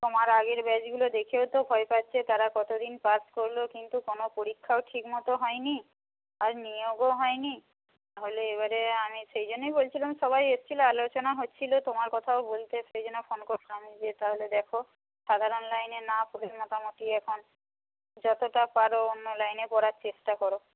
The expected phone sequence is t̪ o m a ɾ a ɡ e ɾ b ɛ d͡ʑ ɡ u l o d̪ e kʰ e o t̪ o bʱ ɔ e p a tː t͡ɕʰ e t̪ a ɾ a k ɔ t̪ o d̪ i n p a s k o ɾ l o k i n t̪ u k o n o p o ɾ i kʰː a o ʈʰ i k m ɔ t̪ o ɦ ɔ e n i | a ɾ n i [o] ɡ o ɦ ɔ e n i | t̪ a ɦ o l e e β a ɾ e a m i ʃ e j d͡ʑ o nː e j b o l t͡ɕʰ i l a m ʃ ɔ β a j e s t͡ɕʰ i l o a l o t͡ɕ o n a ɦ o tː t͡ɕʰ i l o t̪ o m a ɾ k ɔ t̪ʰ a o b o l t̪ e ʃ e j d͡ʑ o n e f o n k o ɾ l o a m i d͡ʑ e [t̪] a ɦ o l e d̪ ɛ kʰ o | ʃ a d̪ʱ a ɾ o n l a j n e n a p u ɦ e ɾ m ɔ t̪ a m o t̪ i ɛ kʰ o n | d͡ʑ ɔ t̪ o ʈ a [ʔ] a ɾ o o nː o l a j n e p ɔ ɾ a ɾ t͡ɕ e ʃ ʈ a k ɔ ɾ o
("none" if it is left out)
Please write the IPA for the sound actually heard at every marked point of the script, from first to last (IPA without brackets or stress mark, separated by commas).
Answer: o, t̪, p